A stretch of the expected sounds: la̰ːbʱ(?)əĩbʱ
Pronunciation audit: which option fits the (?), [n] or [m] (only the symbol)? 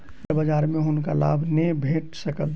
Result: n